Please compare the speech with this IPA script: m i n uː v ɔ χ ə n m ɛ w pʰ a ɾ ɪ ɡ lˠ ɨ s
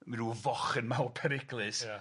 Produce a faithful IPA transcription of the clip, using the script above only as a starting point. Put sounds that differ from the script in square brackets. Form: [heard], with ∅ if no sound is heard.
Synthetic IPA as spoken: m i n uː v ɔ χ ə n m [a] w pʰ [ɛ] ɾ ɪ ɡ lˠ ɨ s